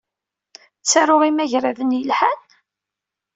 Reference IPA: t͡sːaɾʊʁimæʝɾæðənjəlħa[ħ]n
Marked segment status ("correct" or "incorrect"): incorrect